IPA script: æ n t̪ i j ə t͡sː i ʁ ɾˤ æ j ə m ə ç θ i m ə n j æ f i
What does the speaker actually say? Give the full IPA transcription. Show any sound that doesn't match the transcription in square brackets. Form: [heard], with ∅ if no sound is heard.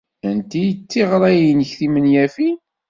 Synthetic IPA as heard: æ n t̪ i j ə t͡sː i ʁ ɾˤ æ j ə [n] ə ç θ i m ə n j æ f i